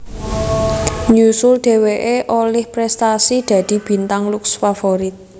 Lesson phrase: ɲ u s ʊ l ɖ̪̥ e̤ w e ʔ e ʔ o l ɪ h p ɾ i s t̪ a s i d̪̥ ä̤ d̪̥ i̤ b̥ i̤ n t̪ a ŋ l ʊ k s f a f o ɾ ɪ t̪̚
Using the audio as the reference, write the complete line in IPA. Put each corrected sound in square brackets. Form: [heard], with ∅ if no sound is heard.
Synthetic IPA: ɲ u s ʊ l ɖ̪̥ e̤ w e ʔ e ʔ o l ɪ h p ɾ [ɛ] s t̪ a s i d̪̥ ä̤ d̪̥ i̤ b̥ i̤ n t̪ a ŋ l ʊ k s f a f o ɾ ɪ t̪̚